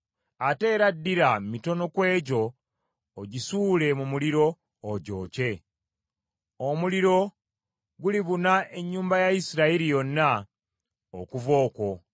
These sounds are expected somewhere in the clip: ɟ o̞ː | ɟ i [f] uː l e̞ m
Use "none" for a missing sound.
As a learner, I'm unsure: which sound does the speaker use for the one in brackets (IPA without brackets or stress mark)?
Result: s